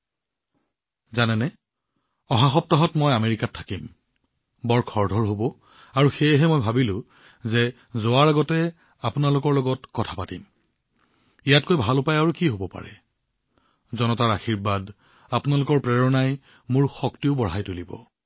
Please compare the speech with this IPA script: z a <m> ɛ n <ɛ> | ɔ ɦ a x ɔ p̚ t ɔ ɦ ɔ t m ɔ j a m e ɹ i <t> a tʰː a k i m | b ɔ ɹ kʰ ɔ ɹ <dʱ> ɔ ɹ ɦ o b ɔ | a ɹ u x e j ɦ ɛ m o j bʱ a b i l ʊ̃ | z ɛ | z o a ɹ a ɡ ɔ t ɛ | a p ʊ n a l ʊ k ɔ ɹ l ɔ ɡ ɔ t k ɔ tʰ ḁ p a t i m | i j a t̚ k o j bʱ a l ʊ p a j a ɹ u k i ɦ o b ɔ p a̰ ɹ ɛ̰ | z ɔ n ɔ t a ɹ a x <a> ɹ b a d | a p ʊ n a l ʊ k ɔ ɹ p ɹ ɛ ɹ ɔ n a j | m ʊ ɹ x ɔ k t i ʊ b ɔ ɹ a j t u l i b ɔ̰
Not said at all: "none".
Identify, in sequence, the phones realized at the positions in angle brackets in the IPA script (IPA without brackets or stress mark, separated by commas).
n, ɛ, k, dʱ, i